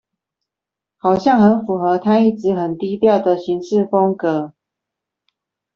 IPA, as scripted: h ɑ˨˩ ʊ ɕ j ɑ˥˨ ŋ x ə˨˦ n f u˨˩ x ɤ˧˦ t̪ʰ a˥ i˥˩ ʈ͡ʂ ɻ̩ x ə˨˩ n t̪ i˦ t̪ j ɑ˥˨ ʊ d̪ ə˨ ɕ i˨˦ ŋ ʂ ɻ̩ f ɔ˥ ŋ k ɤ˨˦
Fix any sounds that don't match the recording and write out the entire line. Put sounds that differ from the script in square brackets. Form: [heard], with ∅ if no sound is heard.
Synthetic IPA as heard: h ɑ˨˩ ʊ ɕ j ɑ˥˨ ŋ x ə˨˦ n f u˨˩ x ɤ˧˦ t̪ʰ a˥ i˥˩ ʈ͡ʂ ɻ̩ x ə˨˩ n t̪ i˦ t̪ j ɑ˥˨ ʊ d̪ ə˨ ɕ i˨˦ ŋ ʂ ɻ̩ f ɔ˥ ŋ k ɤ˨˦

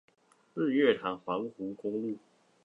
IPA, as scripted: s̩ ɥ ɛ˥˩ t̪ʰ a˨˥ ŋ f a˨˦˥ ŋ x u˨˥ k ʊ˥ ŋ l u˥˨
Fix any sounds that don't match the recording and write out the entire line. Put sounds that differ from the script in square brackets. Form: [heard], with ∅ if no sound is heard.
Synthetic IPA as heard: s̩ ɥ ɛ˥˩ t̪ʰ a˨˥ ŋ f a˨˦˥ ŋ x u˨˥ k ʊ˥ ŋ l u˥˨

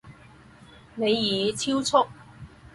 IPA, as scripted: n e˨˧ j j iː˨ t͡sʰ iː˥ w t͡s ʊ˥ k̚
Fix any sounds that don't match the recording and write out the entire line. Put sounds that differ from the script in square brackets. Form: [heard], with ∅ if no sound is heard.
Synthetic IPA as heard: n e˨˧ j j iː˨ t͡sʰ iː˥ w [t͡sʰ] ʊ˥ k̚

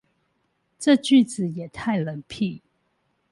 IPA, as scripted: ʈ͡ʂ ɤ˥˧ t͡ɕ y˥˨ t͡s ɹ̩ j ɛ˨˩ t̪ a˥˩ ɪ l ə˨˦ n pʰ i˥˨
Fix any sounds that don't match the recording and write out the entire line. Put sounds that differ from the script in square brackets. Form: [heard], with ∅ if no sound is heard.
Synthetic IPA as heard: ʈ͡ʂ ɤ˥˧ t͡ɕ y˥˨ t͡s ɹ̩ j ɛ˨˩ [t̪ʰ] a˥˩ ɪ l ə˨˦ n pʰ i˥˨

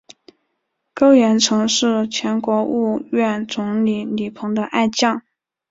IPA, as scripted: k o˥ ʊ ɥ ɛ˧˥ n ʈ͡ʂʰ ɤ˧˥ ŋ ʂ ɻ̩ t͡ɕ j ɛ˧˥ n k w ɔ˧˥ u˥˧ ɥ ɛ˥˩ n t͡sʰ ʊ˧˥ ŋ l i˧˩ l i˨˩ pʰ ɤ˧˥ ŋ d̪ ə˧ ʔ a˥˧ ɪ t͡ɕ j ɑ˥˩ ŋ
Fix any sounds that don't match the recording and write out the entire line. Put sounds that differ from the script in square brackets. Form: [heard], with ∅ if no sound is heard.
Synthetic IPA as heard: k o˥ ʊ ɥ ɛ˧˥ n ʈ͡ʂʰ ɤ˧˥ ŋ ʂ ɻ̩ [t͡ɕʰ] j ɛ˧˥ n k w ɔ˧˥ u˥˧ ɥ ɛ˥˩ n [t͡s] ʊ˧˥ ŋ l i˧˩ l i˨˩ pʰ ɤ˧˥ ŋ d̪ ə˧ ʔ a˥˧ ɪ t͡ɕ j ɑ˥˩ ŋ

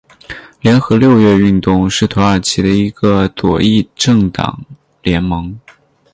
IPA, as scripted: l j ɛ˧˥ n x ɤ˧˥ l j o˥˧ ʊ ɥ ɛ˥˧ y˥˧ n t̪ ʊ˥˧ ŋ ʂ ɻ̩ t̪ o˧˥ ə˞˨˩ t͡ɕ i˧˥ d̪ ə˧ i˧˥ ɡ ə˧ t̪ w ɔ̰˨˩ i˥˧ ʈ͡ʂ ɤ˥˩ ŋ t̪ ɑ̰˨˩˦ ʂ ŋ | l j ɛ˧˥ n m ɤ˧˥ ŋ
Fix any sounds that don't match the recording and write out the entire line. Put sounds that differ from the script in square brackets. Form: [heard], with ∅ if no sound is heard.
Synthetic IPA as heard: l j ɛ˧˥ n x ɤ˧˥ l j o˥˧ ʊ ɥ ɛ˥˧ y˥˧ n t̪ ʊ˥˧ ŋ ʂ ɻ̩ [t̪ʰ] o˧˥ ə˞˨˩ [t͡ɕʰ] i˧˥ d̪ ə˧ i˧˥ ɡ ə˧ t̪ w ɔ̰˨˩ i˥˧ ʈ͡ʂ ɤ˥˩ ŋ t̪ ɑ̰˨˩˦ [∅] ŋ | l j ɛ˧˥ n m ɤ˧˥ ŋ

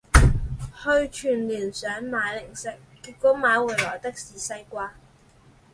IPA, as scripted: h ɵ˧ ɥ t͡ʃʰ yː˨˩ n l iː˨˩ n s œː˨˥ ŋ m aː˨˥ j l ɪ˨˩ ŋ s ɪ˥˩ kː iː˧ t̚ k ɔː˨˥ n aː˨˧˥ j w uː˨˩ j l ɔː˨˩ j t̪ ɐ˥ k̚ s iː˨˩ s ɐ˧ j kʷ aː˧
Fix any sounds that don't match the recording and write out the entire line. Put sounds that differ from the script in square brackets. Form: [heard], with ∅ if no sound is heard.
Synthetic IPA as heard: h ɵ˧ ɥ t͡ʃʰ yː˨˩ n l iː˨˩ n s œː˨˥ ŋ m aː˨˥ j l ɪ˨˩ ŋ s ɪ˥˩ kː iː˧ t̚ k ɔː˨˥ [m] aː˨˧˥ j w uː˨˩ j l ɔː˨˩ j t̪ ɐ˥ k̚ s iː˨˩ s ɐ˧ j kʷ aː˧

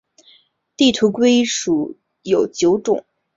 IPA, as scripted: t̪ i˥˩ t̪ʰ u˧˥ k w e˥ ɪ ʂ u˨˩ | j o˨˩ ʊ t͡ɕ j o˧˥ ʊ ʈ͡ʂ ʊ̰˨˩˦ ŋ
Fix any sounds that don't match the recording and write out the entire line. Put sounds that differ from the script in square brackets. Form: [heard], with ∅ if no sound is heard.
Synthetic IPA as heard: t̪ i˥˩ t̪ʰ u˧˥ k w e˥ ɪ ʂ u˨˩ | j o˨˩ ʊ t͡ɕ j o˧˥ ʊ ʈ͡ʂ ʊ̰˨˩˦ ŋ

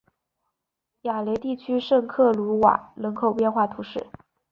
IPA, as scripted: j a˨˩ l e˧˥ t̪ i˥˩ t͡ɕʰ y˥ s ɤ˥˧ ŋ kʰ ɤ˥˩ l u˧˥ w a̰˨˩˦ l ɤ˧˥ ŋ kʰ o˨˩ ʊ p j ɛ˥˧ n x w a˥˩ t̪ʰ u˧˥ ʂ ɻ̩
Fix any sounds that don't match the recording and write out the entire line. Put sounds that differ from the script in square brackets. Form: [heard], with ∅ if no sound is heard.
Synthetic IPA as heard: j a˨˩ l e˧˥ t̪ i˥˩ t͡ɕʰ y˥ [ʂ] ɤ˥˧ ŋ kʰ ɤ˥˩ l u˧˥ w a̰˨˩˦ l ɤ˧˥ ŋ kʰ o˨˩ ʊ p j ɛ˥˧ n x w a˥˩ t̪ʰ u˧˥ ʂ ɻ̩

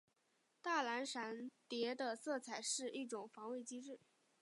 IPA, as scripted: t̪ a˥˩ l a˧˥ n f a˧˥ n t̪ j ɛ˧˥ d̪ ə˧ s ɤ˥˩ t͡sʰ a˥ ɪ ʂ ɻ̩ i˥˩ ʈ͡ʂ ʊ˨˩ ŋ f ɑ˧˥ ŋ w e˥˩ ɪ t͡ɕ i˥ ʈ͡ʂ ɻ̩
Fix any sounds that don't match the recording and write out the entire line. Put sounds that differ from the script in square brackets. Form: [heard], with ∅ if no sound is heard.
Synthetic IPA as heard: t̪ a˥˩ l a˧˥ n [ʂ] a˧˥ n t̪ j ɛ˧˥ d̪ ə˧ s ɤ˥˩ t͡sʰ [a˨˩] ɪ ʂ ɻ̩ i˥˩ ʈ͡ʂ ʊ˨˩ ŋ f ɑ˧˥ ŋ w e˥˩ ɪ t͡ɕ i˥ ʈ͡ʂ ɻ̩

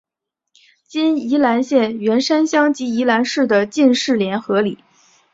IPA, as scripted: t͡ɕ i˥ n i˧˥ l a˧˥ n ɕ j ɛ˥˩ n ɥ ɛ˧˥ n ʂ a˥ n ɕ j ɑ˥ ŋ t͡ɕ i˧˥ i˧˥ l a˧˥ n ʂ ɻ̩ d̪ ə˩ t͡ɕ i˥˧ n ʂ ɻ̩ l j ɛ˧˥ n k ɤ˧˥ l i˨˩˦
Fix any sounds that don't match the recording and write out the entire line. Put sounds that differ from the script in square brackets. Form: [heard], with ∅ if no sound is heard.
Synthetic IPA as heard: t͡ɕ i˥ n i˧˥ l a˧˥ n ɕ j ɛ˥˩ n ɥ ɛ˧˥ n ʂ a˥ n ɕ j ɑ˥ ŋ t͡ɕ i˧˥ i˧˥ l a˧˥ n ʂ ɻ̩ d̪ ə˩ t͡ɕ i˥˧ n ʂ ɻ̩ l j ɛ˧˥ n [x] ɤ˧˥ l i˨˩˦

